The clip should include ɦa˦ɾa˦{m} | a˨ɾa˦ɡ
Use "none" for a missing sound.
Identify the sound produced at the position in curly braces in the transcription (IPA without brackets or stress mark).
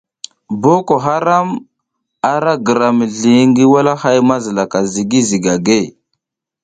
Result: m